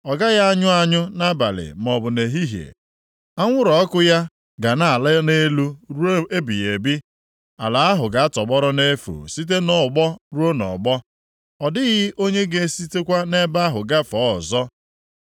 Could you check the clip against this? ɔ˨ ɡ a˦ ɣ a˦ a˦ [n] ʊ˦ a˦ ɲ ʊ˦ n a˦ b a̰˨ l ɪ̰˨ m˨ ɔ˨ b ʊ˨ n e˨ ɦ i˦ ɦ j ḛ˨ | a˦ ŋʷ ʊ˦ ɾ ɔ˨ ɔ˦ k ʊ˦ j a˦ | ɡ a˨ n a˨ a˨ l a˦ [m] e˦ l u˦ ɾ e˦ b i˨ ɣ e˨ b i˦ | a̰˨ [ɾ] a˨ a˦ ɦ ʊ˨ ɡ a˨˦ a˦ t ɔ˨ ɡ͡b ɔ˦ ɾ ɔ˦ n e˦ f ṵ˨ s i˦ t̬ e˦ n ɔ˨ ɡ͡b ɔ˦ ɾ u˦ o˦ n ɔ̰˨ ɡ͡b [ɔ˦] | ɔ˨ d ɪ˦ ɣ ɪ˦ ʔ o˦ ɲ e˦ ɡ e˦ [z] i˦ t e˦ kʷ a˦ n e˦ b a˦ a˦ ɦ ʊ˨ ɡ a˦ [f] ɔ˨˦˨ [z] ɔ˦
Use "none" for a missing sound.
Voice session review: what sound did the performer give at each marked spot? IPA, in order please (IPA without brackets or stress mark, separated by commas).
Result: ɲ, n, l, ɔ˦, s, f, z